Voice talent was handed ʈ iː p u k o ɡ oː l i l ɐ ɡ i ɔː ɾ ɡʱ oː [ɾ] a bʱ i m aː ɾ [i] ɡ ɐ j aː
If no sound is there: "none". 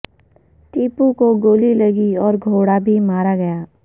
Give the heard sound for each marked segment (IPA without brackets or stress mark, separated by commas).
ɽ, a